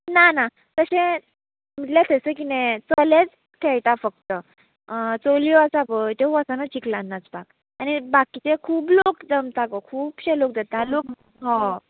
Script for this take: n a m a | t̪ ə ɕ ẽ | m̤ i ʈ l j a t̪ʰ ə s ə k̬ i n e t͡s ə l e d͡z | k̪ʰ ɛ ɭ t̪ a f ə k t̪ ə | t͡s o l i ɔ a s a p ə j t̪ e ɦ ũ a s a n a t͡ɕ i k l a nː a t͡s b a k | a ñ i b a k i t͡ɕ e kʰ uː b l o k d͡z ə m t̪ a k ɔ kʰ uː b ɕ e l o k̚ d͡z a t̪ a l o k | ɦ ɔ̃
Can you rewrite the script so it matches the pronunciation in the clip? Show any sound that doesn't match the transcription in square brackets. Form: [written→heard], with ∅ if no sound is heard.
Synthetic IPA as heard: n a [m→n] a | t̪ ə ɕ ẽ | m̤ i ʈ l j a t̪ʰ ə s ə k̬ i n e t͡s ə l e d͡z | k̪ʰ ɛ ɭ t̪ a f ə k t̪ ə | t͡s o l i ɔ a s a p ə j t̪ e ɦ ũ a s a n a t͡ɕ i k l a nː a t͡s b a k | a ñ i b a k i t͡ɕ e kʰ uː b l o k d͡z ə m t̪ a k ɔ kʰ uː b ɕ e l o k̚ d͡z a t̪ a l o k | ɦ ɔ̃